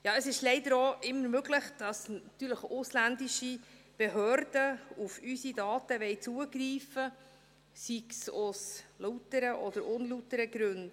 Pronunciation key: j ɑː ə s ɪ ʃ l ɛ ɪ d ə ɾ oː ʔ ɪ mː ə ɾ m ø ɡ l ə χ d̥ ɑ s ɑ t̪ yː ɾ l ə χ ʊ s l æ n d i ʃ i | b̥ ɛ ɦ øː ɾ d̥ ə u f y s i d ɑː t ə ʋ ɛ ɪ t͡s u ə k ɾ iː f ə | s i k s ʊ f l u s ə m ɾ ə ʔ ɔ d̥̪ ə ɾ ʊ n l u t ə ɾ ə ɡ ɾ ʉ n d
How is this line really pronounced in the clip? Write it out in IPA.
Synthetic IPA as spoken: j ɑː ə s ɪ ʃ l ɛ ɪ d ə ɾ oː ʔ ɪ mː ə ɾ m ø ɡ l ə χ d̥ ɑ s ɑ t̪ yː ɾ l ə χ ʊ s l æ n d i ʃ i | b̥ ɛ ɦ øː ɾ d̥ ə u f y s i d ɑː t ə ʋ ɛ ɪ t͡s u ə ɡ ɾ iː f ə | s i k s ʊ s l u t ə ɾ ə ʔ ɔ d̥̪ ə ɾ ʊ n l u t ə ɾ ə ɡ ɾ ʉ n d